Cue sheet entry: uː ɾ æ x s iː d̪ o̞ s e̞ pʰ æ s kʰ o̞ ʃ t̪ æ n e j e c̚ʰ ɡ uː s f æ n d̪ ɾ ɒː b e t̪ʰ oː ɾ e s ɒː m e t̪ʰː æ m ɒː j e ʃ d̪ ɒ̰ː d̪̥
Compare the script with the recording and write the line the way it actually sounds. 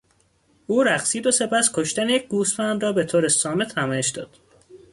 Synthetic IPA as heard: uː ɾ æ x s iː d̪ o̞ s e̞ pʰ æ s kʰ o̞ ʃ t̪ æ n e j e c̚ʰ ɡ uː s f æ n d̪ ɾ ɒː b e t̪ʰ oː ɾ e s ɒː m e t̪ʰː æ m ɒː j e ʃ d̪ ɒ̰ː d̪̥